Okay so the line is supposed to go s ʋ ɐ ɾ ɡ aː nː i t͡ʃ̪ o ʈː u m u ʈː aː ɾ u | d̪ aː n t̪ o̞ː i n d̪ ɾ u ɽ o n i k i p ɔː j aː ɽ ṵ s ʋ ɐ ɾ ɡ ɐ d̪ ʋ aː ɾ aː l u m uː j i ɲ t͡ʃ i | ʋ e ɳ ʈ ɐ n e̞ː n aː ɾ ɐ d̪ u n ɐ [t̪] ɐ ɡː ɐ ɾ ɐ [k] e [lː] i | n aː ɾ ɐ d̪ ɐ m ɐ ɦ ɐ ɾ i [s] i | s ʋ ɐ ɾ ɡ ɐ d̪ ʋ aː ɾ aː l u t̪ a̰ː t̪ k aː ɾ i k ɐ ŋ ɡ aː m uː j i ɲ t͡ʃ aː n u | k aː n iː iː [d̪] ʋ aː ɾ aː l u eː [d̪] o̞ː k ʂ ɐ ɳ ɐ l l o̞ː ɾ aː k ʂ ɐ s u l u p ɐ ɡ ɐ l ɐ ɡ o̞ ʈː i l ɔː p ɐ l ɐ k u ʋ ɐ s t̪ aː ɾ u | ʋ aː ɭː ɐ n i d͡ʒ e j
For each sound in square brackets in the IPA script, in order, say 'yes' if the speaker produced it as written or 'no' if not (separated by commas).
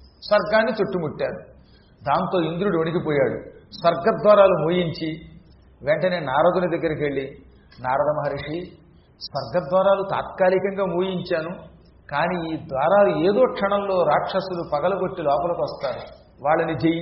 no, yes, no, no, yes, yes